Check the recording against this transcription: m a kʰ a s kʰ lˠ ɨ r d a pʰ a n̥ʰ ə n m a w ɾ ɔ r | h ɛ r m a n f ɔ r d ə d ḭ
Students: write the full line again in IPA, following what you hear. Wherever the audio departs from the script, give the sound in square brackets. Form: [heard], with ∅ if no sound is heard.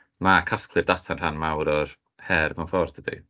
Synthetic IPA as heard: m a kʰ a s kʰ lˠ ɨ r d a [tʰ] a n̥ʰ [a] n m a w ɾ ɔ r | h ɛ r m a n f ɔ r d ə d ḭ